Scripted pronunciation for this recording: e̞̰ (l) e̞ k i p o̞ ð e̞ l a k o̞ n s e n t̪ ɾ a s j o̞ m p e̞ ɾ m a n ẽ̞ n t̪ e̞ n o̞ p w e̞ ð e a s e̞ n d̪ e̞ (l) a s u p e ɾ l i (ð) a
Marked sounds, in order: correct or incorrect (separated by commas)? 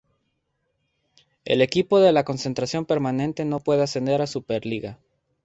correct, incorrect, incorrect